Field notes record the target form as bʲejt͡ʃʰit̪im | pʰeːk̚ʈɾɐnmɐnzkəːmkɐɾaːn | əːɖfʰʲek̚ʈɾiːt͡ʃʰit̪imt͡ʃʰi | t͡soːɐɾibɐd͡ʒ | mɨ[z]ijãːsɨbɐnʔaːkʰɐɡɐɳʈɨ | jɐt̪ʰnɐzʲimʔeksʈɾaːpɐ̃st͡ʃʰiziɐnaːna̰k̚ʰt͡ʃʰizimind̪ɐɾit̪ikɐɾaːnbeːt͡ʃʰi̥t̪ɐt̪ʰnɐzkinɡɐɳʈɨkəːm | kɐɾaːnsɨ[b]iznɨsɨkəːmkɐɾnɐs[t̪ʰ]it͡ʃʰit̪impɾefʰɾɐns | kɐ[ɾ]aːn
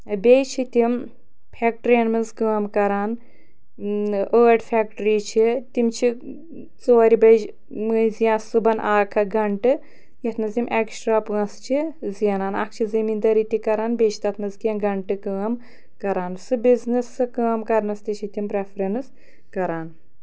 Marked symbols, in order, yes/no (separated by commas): yes, yes, no, yes